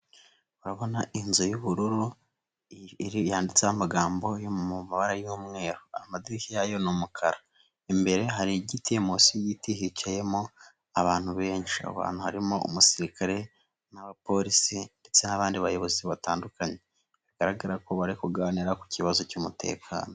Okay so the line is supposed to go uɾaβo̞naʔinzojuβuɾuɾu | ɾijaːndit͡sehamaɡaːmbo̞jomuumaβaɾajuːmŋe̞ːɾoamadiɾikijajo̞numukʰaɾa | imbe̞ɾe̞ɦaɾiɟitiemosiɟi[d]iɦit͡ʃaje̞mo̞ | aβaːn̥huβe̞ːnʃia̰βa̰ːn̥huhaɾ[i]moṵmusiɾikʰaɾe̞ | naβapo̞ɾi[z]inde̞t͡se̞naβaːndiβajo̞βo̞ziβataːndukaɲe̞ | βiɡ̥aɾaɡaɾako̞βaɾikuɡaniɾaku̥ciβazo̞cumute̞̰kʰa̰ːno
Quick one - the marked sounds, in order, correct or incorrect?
incorrect: t, correct, incorrect: s

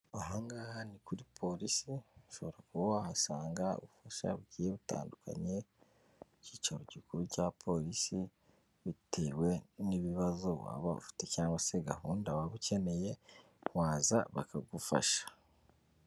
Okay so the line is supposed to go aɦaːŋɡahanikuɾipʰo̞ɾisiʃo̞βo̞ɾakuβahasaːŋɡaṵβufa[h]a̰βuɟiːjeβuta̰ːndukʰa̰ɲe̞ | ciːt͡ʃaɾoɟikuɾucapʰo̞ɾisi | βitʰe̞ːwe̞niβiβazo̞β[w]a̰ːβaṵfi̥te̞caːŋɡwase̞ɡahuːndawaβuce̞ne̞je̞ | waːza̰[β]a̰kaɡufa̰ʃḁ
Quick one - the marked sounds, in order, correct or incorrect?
incorrect: ʃ, correct, correct

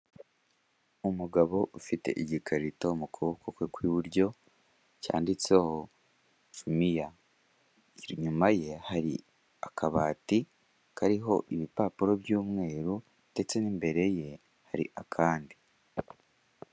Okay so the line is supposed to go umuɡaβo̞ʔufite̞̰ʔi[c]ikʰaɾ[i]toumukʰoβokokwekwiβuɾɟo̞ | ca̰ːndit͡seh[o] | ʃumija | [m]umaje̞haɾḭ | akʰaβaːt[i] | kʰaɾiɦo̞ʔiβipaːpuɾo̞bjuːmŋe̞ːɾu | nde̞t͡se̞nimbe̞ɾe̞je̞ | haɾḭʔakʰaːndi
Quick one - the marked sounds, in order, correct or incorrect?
incorrect: ɟ, correct, correct, incorrect: ɲ, correct

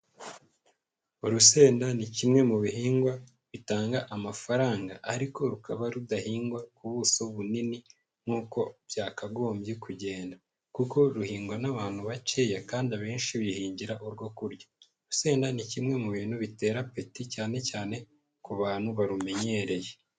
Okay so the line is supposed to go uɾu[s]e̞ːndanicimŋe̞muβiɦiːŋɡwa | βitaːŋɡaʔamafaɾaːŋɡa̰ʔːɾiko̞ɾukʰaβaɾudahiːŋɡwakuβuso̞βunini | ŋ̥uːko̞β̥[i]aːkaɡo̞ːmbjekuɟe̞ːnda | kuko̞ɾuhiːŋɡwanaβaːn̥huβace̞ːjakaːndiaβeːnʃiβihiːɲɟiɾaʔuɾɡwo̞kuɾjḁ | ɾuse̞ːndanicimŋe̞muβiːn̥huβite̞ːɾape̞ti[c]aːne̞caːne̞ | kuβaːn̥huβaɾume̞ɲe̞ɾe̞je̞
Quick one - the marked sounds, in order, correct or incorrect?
correct, incorrect: j, correct

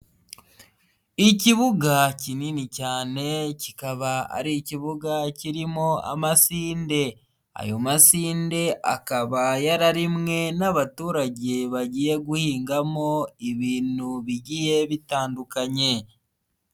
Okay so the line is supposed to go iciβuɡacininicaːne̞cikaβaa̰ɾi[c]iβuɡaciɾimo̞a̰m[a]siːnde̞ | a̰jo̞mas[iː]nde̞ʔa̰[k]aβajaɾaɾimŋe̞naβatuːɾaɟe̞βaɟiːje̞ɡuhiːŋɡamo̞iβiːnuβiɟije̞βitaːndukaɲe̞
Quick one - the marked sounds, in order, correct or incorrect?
correct, correct, correct, correct

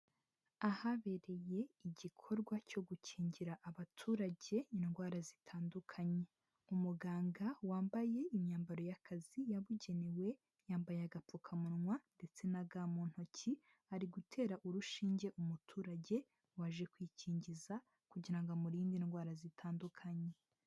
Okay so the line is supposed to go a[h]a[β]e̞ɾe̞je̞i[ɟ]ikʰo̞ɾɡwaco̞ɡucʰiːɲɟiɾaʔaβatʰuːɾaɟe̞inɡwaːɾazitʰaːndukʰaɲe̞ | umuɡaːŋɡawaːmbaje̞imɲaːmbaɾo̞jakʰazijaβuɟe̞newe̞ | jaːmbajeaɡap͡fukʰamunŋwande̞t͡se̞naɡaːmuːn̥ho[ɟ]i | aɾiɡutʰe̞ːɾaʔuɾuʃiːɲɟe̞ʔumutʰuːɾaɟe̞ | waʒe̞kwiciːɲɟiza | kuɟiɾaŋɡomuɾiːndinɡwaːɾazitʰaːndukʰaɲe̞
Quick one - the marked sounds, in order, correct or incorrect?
correct, correct, correct, incorrect: c

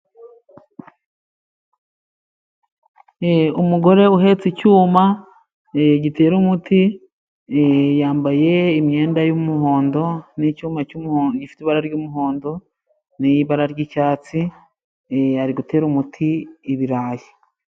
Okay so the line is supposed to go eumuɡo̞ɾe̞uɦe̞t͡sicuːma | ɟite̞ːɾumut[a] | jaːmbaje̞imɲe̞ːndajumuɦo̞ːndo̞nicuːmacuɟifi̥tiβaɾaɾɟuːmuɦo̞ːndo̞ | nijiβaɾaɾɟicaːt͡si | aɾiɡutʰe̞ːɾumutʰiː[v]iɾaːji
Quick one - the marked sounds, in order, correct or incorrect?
incorrect: i, incorrect: β

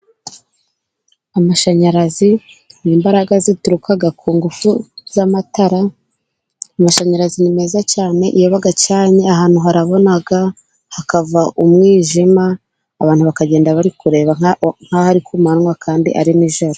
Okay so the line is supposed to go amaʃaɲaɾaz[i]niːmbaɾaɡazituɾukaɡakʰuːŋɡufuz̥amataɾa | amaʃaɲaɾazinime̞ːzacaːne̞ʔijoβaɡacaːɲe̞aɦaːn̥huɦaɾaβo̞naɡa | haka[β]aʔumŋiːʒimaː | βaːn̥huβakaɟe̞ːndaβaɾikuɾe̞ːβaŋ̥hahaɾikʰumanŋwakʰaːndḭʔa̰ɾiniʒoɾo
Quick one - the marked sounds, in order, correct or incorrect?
correct, incorrect: v

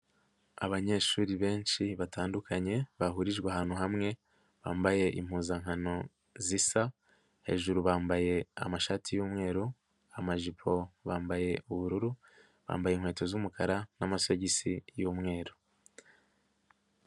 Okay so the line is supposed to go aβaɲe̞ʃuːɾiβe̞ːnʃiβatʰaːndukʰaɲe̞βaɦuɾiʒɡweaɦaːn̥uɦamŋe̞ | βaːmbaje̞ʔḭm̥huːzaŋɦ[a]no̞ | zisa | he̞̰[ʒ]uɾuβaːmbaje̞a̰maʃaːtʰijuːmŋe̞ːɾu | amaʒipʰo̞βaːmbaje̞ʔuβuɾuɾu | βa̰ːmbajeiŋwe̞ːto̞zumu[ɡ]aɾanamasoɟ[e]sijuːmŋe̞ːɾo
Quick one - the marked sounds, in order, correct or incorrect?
correct, correct, incorrect: k, incorrect: i

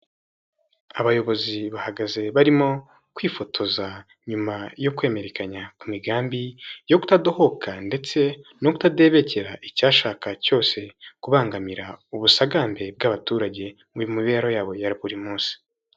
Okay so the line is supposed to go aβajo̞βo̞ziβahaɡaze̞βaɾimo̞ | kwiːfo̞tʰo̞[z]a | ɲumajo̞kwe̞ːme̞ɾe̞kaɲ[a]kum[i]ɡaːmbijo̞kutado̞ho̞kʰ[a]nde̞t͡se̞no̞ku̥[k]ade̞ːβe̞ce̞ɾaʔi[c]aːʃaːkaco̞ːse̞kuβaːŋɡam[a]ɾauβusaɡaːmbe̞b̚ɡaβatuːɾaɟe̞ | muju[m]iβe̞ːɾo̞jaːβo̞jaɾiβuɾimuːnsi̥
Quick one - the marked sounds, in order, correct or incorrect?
correct, correct, correct, correct, incorrect: t, correct, incorrect: i, correct

